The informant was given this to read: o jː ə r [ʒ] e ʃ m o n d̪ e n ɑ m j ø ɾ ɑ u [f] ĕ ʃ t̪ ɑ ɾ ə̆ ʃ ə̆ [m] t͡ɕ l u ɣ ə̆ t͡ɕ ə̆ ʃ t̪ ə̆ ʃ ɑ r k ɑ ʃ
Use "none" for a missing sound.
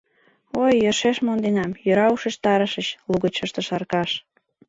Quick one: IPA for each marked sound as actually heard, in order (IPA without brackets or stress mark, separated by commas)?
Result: ʃ, ʃ, none